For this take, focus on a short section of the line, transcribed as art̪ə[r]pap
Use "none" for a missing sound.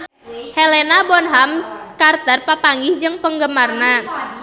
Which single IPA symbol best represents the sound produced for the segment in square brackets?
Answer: r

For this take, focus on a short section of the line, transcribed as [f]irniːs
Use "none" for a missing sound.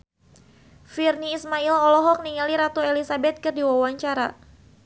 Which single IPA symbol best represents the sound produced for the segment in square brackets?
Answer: f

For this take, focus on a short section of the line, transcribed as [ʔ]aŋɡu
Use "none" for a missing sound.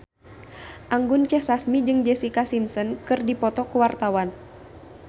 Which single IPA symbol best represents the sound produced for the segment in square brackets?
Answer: ʔ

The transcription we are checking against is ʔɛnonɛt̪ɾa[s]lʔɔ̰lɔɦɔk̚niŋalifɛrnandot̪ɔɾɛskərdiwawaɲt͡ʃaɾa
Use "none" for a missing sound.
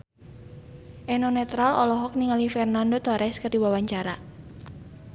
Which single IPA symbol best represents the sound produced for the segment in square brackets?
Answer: none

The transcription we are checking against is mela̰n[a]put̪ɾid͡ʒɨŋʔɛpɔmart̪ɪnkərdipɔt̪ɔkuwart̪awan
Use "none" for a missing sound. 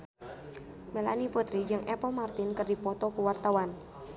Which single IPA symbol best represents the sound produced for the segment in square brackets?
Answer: i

